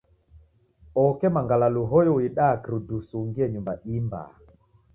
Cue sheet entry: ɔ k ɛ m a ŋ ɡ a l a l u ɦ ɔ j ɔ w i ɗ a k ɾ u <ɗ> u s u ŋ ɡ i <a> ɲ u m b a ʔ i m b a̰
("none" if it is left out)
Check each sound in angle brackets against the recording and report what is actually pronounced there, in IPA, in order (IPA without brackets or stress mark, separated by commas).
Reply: d, ɛ